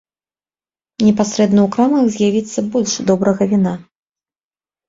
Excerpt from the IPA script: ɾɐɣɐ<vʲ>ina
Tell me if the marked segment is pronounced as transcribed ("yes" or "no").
yes